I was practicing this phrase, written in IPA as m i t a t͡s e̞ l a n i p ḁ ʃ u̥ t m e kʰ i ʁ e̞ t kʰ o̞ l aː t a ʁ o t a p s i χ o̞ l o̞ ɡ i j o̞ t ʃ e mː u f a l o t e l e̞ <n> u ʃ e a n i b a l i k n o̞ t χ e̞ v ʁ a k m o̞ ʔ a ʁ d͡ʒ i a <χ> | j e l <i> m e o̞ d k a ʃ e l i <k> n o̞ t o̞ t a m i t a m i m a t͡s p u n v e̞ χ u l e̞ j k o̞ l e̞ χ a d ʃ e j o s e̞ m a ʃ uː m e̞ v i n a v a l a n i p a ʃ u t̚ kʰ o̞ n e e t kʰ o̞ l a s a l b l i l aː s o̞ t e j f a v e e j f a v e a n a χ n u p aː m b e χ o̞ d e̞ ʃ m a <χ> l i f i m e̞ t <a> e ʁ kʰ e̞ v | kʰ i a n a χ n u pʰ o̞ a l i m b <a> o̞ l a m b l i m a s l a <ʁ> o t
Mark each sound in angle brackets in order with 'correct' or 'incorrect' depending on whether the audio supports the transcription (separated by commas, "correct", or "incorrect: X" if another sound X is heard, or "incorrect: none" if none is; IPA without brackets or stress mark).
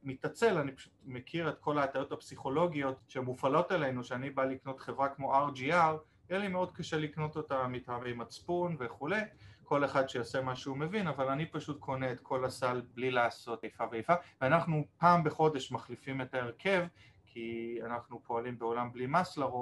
correct, incorrect: ʁ, correct, correct, correct, correct, incorrect: e, correct